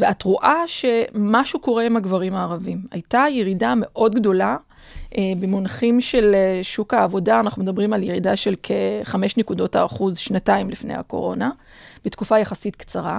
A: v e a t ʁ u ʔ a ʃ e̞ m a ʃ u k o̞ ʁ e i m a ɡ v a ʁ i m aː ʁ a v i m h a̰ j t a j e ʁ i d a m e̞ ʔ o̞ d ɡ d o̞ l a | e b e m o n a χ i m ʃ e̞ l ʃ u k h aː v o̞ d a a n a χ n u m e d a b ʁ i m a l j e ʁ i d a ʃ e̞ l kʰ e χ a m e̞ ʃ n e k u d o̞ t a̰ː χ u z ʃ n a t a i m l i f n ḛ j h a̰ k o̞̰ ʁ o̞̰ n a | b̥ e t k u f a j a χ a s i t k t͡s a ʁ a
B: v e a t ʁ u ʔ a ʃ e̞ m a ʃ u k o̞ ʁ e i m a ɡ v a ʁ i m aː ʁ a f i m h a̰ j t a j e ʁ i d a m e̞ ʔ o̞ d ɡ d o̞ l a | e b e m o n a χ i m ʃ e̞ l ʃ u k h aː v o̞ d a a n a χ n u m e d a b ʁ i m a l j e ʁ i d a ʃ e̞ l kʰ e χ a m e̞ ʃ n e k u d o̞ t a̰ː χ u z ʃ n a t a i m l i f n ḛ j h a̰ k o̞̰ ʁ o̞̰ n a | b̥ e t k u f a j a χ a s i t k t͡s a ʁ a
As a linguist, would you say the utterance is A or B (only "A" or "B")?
A